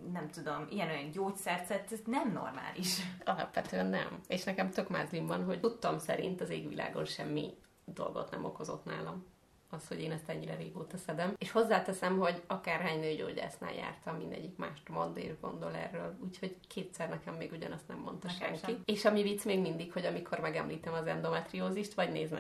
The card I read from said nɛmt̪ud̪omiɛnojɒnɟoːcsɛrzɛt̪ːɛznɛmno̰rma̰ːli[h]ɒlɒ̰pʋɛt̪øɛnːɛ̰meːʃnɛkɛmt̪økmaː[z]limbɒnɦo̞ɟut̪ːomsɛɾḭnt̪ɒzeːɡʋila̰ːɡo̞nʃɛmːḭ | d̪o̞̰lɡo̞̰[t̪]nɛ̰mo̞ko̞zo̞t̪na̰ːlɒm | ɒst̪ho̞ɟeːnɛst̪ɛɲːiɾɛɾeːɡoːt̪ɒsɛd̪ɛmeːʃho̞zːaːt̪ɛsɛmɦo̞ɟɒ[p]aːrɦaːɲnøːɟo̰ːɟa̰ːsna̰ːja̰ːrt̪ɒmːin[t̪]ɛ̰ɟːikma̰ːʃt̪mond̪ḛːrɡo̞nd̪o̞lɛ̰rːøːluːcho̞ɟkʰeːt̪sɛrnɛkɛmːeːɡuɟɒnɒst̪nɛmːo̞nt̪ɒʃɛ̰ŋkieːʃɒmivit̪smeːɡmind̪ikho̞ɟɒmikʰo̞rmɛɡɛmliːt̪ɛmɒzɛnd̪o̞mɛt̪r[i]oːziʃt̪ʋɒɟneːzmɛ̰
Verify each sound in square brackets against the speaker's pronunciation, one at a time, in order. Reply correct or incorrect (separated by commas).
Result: incorrect, correct, correct, incorrect, incorrect, correct